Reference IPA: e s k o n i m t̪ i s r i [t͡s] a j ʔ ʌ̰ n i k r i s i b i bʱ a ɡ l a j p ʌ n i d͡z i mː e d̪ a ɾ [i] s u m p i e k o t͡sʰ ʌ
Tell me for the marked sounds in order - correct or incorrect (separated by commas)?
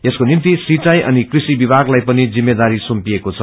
correct, correct